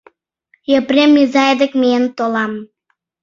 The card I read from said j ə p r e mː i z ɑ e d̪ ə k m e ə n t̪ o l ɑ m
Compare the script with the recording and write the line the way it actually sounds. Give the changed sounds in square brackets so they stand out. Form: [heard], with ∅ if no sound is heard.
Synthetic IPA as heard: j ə p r e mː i z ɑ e d̪ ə k m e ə n t̪ o l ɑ m